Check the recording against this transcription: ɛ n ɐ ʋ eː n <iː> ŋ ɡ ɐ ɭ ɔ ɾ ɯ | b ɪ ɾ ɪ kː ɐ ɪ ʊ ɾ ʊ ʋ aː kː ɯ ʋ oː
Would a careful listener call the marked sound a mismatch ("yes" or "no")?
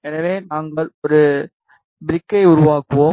yes